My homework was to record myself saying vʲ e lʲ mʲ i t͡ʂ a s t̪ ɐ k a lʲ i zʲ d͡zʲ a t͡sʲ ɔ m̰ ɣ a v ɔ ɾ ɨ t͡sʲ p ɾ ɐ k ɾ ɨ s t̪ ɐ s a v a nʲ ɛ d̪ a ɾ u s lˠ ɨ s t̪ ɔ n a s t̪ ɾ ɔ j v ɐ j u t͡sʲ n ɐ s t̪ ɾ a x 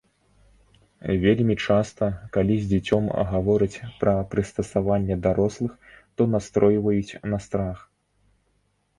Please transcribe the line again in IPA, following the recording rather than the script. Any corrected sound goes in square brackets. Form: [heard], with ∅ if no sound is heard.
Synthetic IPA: vʲ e lʲ mʲ i t͡ʂ a s t̪ ɐ k a lʲ i zʲ d͡zʲ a t͡sʲ ɔ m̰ ɣ a v ɔ ɾ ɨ t͡sʲ p ɾ ɐ [p] ɾ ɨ s t̪ ɐ s a v a [nʲː] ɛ d̪ a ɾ [ɔ] s lˠ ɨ [x] t̪ ɔ n a s t̪ ɾ ɔ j v ɐ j u t͡sʲ n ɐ s t̪ ɾ a x